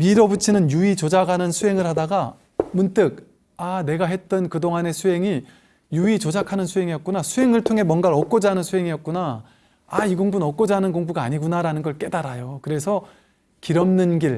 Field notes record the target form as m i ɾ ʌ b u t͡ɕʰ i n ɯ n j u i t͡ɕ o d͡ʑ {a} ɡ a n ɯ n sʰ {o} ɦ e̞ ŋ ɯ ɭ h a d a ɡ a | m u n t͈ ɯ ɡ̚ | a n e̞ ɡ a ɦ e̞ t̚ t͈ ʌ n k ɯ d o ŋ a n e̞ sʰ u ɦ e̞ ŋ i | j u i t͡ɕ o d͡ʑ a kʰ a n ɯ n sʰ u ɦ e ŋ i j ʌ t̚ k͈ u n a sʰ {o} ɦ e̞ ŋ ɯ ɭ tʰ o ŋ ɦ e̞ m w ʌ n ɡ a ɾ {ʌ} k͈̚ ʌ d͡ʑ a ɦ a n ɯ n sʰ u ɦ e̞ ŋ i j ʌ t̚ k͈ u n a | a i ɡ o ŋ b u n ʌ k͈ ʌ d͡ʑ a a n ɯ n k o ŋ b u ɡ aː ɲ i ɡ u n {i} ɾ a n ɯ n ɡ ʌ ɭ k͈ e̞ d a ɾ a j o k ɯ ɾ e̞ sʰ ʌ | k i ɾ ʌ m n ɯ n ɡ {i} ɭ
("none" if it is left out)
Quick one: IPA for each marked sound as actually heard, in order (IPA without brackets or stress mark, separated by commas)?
a, u, u, ʌ, a, i